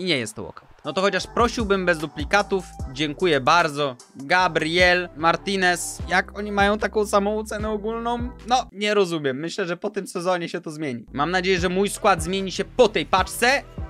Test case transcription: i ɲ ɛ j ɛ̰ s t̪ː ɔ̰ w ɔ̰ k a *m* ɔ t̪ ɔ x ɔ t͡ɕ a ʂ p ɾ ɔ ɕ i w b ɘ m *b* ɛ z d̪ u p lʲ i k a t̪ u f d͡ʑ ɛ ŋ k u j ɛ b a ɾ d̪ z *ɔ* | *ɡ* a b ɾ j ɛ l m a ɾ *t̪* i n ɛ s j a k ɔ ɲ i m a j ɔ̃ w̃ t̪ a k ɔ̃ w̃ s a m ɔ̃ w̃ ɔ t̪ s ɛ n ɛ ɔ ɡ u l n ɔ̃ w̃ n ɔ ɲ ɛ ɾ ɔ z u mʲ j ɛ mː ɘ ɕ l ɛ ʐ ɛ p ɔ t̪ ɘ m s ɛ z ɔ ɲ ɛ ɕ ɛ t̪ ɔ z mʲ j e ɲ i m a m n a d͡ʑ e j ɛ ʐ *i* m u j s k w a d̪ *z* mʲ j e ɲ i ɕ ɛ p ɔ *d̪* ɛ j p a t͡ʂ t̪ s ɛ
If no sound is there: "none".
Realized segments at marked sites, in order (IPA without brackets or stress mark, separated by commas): n, b, ɔ, ɡ, t̪, ɛ, z, t̪